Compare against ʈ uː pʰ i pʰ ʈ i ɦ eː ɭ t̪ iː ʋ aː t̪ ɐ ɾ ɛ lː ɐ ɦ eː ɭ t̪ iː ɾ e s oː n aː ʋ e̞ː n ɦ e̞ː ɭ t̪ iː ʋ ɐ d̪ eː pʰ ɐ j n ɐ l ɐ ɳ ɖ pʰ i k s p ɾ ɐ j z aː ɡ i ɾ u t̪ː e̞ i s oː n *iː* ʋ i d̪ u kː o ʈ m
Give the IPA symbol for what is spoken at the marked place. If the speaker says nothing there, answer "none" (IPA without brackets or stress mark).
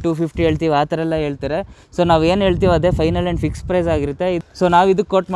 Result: aː